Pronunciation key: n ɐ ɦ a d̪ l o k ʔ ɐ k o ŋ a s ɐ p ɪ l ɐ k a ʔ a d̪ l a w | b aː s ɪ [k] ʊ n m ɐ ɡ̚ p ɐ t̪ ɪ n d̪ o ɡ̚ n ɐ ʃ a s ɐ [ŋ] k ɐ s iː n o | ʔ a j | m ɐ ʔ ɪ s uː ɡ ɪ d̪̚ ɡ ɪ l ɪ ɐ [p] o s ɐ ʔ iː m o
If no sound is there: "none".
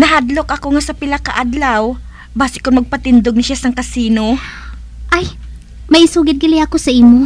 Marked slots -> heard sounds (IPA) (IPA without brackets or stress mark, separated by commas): k, ŋ, k